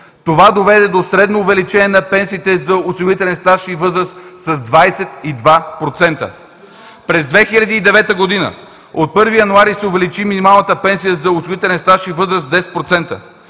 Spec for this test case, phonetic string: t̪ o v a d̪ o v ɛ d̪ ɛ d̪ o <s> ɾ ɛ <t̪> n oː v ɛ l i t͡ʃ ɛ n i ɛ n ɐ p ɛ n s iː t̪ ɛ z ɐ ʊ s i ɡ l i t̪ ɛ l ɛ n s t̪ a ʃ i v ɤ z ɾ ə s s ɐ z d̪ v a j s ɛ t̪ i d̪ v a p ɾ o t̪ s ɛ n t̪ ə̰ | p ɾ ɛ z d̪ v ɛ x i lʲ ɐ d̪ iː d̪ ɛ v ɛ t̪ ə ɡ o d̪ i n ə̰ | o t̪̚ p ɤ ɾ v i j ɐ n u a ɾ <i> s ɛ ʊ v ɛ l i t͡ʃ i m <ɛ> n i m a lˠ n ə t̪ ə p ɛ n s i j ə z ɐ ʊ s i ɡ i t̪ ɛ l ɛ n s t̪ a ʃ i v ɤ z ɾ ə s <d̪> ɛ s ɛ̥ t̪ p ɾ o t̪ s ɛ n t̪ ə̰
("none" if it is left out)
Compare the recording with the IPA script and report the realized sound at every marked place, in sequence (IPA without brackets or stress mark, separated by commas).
s, d̪, i, i, d̪